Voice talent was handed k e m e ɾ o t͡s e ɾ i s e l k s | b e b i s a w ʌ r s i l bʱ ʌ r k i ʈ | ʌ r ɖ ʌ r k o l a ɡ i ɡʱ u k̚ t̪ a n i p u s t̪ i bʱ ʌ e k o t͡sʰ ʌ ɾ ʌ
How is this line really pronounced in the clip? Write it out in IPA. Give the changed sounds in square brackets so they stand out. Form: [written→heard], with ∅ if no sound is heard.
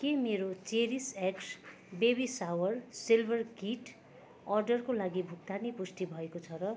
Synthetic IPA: k e m e ɾ o t͡s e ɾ i s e [l→∅] k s | b e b i s a w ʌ r s i l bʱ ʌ r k i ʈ | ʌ r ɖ ʌ r k o l a ɡ i [ɡʱ→bʱ] u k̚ t̪ a n i p u s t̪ i bʱ ʌ e k o t͡sʰ ʌ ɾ ʌ